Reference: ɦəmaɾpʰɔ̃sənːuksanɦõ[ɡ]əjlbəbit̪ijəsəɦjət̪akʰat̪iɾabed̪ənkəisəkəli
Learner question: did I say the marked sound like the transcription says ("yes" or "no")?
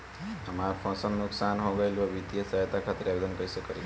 yes